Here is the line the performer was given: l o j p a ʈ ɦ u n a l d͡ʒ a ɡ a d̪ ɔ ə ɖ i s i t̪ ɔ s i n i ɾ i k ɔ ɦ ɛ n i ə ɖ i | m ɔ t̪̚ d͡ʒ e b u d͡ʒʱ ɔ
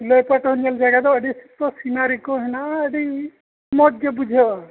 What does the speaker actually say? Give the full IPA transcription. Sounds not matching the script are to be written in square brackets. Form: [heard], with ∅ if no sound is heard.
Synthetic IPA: l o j p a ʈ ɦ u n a l d͡ʒ a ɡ a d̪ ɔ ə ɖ i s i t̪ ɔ s i n [a] ɾ i k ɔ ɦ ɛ n [a] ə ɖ i | m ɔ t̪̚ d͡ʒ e b u d͡ʒʱ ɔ